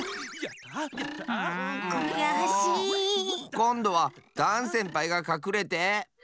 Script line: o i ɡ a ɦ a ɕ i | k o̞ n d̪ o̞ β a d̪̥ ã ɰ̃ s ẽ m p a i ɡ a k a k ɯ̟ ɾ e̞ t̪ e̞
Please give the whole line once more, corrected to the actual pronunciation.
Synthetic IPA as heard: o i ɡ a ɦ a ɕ i | k õ̞ n d̪ o̞ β a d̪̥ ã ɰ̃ s ẽ m p a i ɡ a k a k ɯ̟ ɾ e̞ t̪ e̞